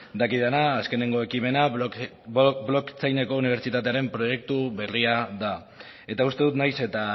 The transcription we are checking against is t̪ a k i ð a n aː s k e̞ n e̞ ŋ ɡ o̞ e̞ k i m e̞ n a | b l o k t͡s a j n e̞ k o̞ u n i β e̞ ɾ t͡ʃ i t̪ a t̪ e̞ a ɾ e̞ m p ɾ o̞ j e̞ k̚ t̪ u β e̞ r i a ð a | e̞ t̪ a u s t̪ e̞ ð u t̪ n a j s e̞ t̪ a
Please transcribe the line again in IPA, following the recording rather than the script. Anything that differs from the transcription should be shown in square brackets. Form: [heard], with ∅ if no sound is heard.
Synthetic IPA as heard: [d̪] a k i ð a n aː s k e̞ n e̞ ŋ ɡ o̞ e̞ k i m e̞ n a | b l o k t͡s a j n e̞ k o̞ u n i β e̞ ɾ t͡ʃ i t̪ a t̪ e̞ a ɾ e̞ m p ɾ o̞ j e̞ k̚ t̪ u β e̞ r i a ð a | e̞ t̪ a u s t̪ e̞ ð u t̪ n a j s e̞ t̪ a